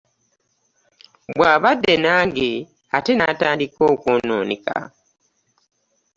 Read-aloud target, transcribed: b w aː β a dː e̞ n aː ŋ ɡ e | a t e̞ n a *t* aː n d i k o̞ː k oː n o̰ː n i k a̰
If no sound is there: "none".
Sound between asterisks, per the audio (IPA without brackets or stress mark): t